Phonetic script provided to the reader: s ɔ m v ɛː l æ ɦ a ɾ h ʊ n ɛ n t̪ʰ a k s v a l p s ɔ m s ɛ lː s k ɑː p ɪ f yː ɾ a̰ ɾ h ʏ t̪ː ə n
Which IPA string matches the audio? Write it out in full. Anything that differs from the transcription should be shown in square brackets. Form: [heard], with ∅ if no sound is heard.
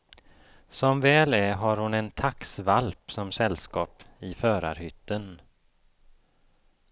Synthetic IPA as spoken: s ɔ m v ɛː l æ ɦ a ɾ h ʊ n ɛ n t̪ʰ a k s v a l p s ɔ m s ɛ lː s k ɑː p ɪ f [œː] ɾ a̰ ɾ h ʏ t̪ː ə n

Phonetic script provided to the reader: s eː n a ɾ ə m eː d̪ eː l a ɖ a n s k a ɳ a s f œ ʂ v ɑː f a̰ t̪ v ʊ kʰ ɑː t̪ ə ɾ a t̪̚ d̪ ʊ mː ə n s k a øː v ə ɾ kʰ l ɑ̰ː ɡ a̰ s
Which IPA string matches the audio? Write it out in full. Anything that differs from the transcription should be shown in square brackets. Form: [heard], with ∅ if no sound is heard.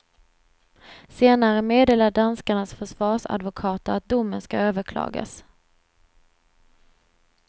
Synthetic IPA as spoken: s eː n a ɾ ə m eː d̪ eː l a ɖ a n s k a ɳ a s f œ ʂ v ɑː [ʂ] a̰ [d̪] v ʊ kʰ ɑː t̪ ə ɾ a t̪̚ d̪ ʊ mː ə n s k a øː v ə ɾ kʰ l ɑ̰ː ɡ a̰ s

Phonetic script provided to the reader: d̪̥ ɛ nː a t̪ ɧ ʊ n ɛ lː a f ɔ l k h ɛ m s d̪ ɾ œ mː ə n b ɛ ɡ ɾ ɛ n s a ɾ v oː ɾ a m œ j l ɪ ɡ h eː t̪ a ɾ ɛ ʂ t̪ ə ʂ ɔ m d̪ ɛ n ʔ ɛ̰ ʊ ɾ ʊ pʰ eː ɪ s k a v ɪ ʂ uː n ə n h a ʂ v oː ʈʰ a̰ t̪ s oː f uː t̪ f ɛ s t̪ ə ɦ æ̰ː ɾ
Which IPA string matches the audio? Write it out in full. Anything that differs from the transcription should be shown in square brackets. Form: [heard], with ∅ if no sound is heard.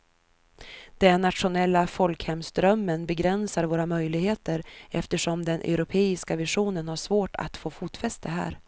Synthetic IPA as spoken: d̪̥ ɛ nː a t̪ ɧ ʊ n ɛ lː a f ɔ l k h ɛ m s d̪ ɾ œ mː ə n b ɛ ɡ ɾ ɛ n s a ɾ v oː ɾ a m œ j l ɪ ɡ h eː t̪ [ə] ɾ ɛ [f] t̪ ə ʂ ɔ m d̪ ɛ n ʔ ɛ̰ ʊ ɾ ʊ pʰ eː ɪ s k a v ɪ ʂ uː n ə n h a ʂ v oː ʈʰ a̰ t̪ [f] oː f uː t̪ f ɛ s t̪ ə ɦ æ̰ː ɾ

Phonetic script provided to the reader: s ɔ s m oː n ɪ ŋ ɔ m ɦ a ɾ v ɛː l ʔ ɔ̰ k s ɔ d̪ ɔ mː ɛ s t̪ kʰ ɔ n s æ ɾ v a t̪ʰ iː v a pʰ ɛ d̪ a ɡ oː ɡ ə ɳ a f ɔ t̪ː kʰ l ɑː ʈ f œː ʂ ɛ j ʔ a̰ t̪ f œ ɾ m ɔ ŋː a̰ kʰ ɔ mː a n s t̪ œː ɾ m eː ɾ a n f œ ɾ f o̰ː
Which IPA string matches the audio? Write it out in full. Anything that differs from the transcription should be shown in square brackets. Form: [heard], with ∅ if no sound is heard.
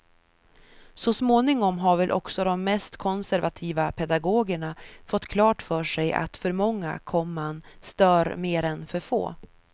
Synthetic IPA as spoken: s ɔ s m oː n ɪ ŋ ɔ m ɦ a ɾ v [ɛ] l ʔ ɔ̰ k s ɔ d̪ ɔ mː ɛ s t̪ kʰ ɔ n s æ ɾ v a t̪ʰ iː v a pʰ ɛ d̪ a ɡ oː ɡ ə ɳ a f ɔ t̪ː kʰ l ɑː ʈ f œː ʂ ɛ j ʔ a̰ t̪ f œ ɾ m ɔ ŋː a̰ kʰ ɔ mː a n s t̪ œː ɾ m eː ɾ [ɛ] n f œ ɾ f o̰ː

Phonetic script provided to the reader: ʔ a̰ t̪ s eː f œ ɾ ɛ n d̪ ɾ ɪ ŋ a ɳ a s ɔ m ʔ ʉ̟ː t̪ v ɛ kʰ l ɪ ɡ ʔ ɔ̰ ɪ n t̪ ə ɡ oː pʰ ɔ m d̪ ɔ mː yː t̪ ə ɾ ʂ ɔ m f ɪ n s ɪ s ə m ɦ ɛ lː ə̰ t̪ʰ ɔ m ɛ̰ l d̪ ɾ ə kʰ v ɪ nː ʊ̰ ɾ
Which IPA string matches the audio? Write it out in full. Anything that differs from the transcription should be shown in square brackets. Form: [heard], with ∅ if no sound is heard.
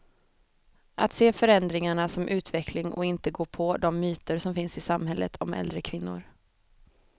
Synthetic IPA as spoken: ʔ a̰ t̪ s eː f œ ɾ ɛ n d̪ ɾ ɪ ŋ a ɳ a s ɔ m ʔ ʉ̟ː t̪ v ɛ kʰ l ɪ [ŋ] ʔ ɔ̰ ɪ n t̪ ə ɡ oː pʰ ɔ [∅] d̪ ɔ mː yː t̪ ə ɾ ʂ ɔ m f ɪ n s ɪ s [a] m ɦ ɛ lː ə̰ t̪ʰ ɔ m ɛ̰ l d̪ ɾ ə kʰ v ɪ nː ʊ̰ ɾ

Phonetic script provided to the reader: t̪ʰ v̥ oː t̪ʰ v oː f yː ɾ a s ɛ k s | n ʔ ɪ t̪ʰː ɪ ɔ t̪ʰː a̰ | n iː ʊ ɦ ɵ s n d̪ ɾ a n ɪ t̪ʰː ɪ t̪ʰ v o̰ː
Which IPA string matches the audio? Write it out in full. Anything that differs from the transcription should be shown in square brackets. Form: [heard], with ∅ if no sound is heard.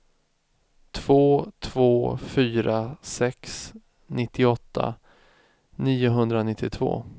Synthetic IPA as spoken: t̪ʰ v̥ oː t̪ʰ v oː f yː ɾ a s ɛ k s | n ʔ ɪ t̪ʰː ɪ ɔ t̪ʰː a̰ | n iː ʊ ɦ ɵ [∅] n d̪ ɾ a n ɪ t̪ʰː ɪ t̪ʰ v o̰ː

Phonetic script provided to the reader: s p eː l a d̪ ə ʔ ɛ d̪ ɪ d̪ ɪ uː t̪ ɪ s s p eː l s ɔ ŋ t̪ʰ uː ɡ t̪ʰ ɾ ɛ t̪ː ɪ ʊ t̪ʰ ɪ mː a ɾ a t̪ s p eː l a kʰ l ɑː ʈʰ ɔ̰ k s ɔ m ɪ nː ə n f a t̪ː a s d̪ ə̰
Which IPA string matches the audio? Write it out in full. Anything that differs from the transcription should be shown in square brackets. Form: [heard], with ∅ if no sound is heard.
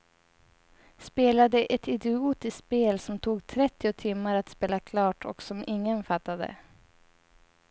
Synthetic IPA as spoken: s p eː l a d̪ ə ʔ ɛ [t̪] ɪ d̪ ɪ uː t̪ ɪ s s p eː l s ɔ [m] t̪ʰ uː ɡ t̪ʰ ɾ ɛ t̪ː ɪ ʊ t̪ʰ ɪ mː a ɾ a t̪ s p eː l a kʰ l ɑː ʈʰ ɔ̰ k s ɔ m ɪ [ŋː] ə n f a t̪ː a [∅] d̪ ə̰

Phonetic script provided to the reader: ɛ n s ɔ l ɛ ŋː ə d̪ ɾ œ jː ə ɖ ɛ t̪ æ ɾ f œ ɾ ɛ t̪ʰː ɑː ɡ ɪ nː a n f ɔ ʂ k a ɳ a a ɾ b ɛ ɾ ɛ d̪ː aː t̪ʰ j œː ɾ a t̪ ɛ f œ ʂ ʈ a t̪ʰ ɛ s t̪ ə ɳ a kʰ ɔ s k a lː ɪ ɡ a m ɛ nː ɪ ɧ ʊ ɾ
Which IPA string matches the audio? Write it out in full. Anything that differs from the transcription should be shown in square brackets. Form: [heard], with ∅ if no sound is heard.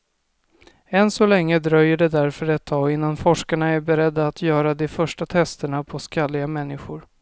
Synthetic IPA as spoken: ɛ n s ɔ l ɛ ŋː ə d̪ ɾ œ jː ə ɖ ɛ [d̪] æ ɾ f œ ɾ ɛ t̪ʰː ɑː ɡ ɪ nː a n f ɔ ʂ k a ɳ a [æ] ɾ b ɛ ɾ ɛ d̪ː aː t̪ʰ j œː ɾ a [d̪] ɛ f œ ʂ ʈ a t̪ʰ ɛ s t̪ ə ɳ a [pʰ] ɔ s k a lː ɪ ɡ a m ɛ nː ɪ ɧ ʊ ɾ

